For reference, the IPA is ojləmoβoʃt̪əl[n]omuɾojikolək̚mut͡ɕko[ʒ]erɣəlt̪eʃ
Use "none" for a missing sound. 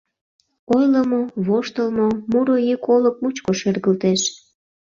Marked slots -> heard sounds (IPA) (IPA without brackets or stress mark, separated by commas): m, ʃ